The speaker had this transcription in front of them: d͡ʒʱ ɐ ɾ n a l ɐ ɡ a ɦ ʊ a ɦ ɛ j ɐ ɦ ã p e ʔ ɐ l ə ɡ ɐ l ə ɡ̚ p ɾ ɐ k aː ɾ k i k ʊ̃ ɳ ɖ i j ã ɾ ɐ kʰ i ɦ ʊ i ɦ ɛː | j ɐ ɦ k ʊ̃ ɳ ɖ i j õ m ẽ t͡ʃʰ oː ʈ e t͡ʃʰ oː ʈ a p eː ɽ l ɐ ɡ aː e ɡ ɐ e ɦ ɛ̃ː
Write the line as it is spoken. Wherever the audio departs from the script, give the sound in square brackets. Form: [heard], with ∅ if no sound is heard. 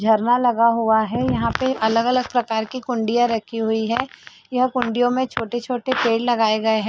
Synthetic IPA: d͡ʒʱ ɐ ɾ n a l ɐ ɡ a ɦ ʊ a ɦ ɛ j ɐ ɦ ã p e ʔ ɐ l ə ɡ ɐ l ə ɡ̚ p ɾ ɐ k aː ɾ k i k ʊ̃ ɳ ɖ i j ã ɾ ɐ kʰ i ɦ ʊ i ɦ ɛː | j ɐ ɦ k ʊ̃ ɳ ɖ i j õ m ẽ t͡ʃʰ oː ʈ e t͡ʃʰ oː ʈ [e] p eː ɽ l ɐ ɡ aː e ɡ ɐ e ɦ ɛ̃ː